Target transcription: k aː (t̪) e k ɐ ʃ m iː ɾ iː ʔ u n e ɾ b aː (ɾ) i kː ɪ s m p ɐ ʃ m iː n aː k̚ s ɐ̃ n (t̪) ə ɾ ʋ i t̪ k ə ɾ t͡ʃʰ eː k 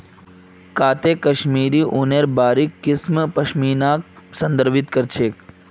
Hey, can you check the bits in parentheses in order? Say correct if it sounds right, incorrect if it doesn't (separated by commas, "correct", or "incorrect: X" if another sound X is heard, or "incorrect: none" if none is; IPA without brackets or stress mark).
correct, correct, incorrect: d̪